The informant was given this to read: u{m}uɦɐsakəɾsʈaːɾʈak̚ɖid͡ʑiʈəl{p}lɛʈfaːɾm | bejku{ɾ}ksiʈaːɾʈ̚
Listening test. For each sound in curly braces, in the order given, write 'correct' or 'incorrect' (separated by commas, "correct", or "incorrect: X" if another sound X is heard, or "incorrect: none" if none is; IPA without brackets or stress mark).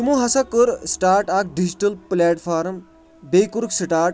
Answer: correct, correct, correct